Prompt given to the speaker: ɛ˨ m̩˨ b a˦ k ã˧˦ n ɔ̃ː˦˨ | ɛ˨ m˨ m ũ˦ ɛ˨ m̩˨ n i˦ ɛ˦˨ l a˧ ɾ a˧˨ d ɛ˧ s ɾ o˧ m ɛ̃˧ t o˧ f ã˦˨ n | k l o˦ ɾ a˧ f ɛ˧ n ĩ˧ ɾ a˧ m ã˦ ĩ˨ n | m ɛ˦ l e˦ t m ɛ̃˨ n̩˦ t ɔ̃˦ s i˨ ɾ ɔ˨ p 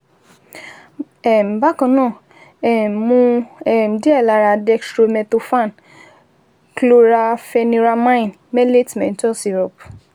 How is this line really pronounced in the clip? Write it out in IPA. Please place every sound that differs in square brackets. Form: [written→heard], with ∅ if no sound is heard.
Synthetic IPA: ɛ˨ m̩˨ b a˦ k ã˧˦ n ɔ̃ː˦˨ | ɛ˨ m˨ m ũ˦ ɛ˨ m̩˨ [n→d] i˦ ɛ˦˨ l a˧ ɾ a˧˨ d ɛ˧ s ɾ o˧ m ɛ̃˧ t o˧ f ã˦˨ n | k l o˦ ɾ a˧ f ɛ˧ n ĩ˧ ɾ a˧ m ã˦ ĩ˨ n | m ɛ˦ l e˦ t m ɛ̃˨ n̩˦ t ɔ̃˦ s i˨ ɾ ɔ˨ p